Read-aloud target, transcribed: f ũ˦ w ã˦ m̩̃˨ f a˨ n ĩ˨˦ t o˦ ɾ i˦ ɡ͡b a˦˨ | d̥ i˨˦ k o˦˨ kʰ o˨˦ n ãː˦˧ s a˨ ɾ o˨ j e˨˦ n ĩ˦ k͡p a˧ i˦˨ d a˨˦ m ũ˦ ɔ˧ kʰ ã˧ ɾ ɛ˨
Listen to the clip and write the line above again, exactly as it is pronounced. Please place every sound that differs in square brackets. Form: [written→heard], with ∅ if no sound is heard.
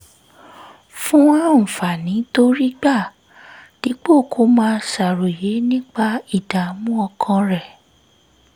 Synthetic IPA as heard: f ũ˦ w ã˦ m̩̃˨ f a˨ n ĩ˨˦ t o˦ ɾ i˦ ɡ͡b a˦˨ | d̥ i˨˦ [k→k͡p] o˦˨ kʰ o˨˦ [n→m] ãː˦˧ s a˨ ɾ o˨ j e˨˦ n ĩ˦ k͡p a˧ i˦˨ d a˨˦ m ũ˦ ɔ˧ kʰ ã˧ ɾ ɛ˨